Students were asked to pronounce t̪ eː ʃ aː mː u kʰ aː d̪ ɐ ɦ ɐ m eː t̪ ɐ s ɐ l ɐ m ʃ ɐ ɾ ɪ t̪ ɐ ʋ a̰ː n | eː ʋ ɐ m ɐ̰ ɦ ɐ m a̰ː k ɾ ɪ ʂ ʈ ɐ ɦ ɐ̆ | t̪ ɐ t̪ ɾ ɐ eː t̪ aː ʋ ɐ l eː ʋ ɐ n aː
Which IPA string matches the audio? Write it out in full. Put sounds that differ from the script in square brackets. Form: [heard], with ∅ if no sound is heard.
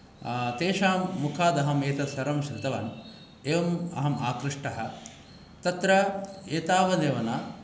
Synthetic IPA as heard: t̪ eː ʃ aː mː u kʰ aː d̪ ɐ ɦ ɐ m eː t̪ ɐ s ɐ [ɾ] ɐ m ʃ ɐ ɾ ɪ t̪ ɐ ʋ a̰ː n | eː ʋ ɐ m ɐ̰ ɦ ɐ m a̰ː k ɾ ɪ ʂ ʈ ɐ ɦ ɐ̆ | t̪ ɐ t̪ ɾ ɐ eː t̪ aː ʋ ɐ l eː ʋ ɐ n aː